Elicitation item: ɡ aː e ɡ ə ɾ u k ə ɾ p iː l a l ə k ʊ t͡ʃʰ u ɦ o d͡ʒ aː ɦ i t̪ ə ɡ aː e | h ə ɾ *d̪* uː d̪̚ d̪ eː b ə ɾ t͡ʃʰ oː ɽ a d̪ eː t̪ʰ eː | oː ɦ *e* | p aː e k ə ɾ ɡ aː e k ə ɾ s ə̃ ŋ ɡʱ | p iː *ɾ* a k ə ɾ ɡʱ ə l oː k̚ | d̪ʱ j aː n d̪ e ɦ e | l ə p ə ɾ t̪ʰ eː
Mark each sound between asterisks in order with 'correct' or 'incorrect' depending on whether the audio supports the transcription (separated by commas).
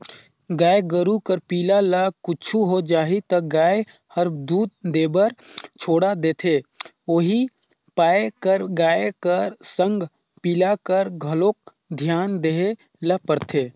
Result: correct, incorrect, incorrect